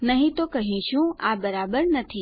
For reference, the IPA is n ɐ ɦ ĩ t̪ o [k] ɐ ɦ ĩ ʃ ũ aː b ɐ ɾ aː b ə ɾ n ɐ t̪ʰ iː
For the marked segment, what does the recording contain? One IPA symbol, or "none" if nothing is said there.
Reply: k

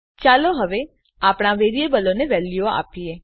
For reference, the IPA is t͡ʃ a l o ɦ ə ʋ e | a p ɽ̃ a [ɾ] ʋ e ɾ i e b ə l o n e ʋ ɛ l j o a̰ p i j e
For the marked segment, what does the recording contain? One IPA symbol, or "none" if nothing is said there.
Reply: none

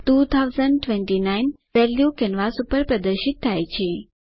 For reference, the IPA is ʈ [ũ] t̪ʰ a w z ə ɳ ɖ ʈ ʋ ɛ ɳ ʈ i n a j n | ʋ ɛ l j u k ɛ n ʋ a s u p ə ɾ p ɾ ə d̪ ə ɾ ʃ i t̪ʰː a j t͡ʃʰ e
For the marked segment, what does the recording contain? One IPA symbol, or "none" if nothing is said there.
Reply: u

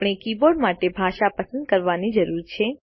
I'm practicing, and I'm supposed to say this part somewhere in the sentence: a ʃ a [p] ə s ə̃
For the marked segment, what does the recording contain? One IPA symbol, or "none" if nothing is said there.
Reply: p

